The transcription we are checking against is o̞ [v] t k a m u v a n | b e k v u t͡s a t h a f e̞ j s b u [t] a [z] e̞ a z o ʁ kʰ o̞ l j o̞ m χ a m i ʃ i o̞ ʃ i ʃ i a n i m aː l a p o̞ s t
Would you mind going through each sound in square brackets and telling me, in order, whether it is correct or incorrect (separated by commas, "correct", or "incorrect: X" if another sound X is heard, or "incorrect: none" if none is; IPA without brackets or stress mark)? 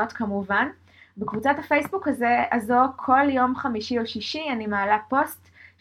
incorrect: none, incorrect: k, correct